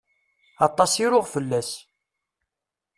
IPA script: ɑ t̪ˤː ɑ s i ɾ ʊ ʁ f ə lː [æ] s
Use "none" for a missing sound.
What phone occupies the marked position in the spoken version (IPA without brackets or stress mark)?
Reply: æ